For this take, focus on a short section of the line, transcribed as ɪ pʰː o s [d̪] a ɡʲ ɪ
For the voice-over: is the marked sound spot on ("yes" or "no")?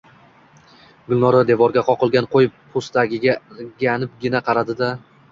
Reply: no